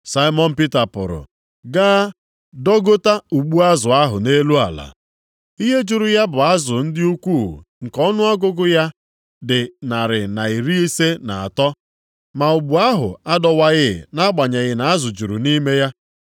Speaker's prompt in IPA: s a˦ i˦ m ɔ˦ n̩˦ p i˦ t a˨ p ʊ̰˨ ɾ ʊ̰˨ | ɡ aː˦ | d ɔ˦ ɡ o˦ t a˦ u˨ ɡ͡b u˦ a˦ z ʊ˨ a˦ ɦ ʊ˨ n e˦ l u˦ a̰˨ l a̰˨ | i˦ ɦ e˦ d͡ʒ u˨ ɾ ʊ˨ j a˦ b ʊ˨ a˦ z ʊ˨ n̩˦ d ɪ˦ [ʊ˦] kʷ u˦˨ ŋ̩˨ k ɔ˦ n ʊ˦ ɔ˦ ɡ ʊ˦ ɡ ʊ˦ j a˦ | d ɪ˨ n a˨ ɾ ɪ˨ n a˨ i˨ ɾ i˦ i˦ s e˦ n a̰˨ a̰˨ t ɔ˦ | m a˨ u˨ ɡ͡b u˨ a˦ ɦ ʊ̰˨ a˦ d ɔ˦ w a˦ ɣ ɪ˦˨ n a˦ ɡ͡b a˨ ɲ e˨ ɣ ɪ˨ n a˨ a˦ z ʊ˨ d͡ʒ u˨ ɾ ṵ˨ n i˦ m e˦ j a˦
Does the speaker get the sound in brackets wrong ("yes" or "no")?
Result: yes